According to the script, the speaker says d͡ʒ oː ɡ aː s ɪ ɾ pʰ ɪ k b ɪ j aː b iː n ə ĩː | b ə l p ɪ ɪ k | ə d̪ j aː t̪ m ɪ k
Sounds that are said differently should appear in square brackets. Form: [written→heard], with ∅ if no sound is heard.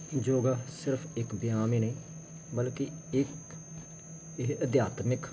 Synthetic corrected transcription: d͡ʒ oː ɡ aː s ɪ ɾ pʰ ɪ k b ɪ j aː [b→m] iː n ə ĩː | b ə l [p→k] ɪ ɪ k | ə d̪ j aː t̪ m ɪ k